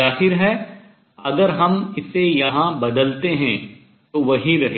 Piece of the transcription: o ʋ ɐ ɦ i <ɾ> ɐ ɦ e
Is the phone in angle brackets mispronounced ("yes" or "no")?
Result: no